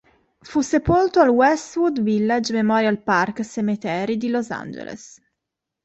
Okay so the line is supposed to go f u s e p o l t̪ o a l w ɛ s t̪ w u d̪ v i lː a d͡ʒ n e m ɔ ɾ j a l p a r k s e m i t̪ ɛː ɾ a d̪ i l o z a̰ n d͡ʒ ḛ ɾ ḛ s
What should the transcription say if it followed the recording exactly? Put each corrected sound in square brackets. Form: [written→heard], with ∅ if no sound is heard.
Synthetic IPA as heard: f u s e p o l t̪ o a l w ɛ s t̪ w u d̪ v i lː a d͡ʒ [n→m] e m ɔ ɾ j a l p a r k s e m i t̪ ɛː ɾ [a→i] d̪ i l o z a̰ n d͡ʒ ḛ [ɾ→l] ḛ s